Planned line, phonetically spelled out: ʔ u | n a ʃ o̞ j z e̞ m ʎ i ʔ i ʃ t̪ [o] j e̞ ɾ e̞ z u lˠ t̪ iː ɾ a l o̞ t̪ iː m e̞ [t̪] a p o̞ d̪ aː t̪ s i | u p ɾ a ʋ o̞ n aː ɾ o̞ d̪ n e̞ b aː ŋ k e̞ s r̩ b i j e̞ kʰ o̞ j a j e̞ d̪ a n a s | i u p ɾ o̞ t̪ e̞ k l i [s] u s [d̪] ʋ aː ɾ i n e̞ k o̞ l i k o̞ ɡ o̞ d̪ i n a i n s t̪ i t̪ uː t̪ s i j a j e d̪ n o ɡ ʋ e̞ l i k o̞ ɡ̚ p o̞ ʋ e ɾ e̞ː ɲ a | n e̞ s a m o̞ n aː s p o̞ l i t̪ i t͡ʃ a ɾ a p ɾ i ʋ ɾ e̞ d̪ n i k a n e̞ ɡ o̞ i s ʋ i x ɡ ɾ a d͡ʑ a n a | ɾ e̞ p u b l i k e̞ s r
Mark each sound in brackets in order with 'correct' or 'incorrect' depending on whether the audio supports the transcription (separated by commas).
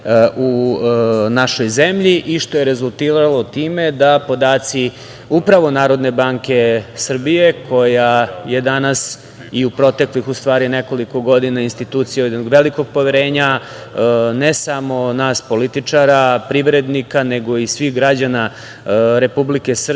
correct, incorrect, incorrect, incorrect